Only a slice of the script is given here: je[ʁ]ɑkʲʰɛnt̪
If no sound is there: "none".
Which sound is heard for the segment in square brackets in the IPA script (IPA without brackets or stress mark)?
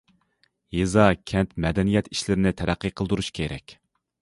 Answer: z